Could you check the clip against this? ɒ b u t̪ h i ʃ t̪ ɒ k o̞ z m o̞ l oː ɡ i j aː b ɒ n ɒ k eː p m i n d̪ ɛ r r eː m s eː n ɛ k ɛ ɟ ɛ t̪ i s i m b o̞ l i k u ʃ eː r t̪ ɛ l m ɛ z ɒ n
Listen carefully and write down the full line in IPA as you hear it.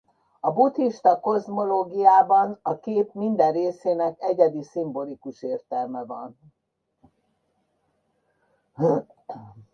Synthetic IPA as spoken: ɒ b u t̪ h i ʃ t̪ ɒ k o̞ z m o̞ l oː ɡ i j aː b ɒ n ɒ k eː p m i n d̪ ɛ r r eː s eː n ɛ k ɛ ɟ ɛ d̪ i s i m b o̞ l i k u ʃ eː r t̪ ɛ l m ɛ v ɒ n